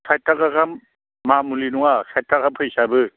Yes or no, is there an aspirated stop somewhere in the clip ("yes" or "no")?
yes